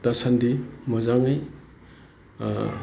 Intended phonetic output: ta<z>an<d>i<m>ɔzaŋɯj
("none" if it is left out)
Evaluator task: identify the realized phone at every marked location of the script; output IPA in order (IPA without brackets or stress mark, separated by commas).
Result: s, d, m